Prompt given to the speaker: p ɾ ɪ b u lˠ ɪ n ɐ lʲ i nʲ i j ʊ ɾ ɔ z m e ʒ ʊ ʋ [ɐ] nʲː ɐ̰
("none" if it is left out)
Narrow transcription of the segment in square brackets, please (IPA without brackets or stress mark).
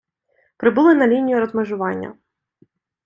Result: ɑ